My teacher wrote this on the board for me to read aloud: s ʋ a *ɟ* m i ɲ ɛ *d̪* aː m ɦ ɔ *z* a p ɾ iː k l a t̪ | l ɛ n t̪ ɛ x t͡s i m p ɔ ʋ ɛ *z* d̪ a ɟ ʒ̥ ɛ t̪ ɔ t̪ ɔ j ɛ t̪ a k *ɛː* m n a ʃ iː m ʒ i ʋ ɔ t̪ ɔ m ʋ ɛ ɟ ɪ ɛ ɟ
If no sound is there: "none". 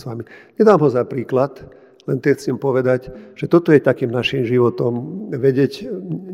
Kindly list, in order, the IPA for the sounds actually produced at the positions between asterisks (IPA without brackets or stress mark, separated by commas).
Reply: none, d̪, z, none, iː